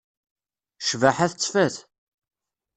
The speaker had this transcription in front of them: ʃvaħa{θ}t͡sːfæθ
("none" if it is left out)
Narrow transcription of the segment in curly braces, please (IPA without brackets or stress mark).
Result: θ